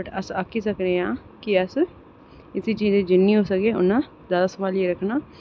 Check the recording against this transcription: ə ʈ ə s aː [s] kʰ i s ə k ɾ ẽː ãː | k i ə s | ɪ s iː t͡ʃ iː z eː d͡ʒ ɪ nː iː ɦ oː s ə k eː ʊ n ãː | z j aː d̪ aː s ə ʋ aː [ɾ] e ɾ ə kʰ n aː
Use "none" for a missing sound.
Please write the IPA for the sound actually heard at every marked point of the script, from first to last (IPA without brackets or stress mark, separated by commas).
none, l